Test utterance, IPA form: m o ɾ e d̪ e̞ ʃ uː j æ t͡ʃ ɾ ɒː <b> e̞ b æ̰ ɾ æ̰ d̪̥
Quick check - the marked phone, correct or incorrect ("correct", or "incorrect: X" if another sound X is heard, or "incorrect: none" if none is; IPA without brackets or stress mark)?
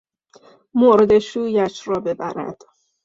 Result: correct